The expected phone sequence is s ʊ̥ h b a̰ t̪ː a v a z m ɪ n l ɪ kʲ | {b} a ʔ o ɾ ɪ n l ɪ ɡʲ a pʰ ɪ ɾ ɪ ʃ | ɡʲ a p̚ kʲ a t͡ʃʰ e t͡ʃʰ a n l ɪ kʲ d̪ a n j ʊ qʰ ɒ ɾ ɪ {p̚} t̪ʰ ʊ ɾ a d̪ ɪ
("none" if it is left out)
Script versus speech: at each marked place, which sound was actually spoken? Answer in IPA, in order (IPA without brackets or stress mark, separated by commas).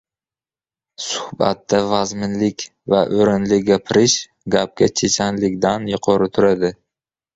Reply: v, none